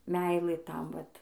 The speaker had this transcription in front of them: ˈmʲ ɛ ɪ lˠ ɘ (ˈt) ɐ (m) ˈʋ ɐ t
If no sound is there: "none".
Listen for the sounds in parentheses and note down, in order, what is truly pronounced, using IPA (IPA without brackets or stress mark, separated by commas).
t, m